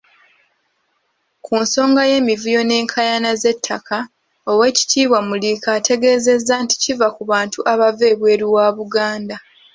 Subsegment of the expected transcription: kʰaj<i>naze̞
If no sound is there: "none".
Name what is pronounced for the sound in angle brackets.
a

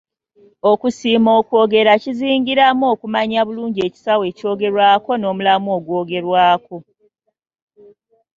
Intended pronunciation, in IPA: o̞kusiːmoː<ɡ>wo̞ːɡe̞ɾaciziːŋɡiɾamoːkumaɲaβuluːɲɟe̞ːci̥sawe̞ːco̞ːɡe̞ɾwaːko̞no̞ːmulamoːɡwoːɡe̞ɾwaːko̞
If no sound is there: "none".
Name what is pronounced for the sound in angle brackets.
k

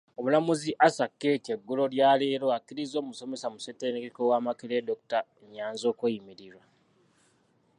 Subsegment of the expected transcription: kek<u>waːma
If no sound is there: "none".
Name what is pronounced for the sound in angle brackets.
o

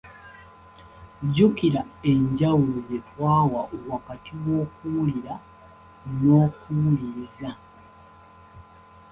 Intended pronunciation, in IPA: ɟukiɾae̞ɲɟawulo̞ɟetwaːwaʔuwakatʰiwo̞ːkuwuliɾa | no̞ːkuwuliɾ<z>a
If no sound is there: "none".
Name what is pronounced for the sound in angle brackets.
z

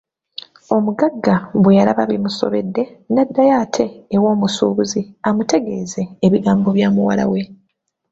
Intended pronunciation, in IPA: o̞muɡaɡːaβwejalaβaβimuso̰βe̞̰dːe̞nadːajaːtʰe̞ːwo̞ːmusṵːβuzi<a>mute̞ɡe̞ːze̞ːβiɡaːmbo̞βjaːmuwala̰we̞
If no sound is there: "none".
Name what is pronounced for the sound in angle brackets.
a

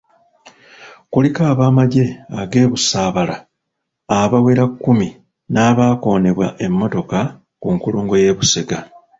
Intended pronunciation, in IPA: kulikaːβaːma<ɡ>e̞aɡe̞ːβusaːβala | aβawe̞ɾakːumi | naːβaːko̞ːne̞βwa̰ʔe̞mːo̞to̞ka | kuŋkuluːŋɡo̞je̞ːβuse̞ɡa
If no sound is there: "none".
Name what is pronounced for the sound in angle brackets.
ɟ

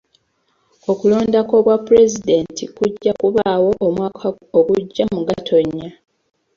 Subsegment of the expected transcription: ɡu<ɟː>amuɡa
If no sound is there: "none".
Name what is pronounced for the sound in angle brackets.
ɟː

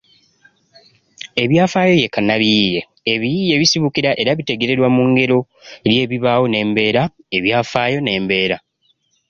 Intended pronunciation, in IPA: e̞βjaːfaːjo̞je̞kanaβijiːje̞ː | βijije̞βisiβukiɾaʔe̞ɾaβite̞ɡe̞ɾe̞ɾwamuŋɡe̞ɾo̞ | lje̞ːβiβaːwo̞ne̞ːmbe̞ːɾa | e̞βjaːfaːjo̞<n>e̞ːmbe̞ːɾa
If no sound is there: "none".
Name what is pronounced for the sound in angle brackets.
n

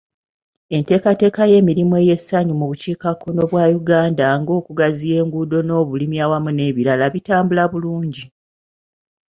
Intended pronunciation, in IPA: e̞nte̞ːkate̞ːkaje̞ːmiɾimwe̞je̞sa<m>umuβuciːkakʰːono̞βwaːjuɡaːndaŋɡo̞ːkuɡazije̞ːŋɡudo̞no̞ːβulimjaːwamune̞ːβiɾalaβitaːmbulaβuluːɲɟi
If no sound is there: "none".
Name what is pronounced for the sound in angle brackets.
ɲ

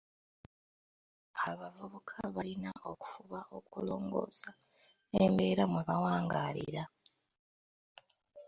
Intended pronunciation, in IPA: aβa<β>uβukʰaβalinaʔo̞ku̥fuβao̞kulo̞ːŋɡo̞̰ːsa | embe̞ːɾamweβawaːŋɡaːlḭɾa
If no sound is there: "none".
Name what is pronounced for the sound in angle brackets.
v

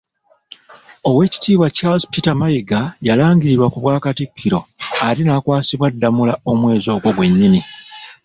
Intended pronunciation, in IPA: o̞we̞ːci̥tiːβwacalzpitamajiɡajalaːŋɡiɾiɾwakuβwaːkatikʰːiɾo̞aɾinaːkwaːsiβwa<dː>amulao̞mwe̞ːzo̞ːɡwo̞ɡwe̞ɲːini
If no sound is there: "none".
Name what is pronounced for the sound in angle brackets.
dː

